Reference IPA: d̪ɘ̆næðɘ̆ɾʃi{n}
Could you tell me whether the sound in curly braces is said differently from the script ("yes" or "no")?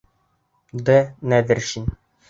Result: no